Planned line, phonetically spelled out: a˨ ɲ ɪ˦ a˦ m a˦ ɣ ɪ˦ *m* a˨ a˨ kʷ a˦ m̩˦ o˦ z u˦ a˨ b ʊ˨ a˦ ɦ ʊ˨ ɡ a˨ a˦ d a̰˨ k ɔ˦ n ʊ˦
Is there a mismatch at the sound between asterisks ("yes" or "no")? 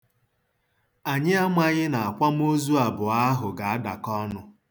yes